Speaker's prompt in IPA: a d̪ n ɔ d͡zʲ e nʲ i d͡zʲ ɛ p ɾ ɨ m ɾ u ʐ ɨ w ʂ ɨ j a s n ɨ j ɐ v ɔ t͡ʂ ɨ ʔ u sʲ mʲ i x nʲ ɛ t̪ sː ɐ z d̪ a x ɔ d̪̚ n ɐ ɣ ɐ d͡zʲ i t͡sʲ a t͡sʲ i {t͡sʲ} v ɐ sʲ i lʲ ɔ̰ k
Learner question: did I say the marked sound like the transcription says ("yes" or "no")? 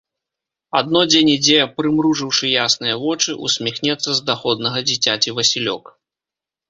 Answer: no